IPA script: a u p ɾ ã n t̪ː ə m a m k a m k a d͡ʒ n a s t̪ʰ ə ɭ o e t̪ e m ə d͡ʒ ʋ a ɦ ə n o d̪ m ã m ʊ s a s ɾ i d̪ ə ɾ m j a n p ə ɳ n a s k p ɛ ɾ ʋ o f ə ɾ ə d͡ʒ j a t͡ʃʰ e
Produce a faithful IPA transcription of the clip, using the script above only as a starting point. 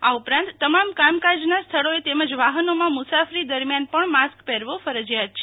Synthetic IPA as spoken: a u p ɾ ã n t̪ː ə m a m k a m k a d͡ʒ n a s t̪ʰ ə ɭ o e t̪ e m ə d͡ʒ ʋ a ɦ ə n o m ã m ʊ s a f ɾ i d̪ ə ɾ m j a n p ə ɳ m a s k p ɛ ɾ ʋ o f ə ɾ ə d͡ʒ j a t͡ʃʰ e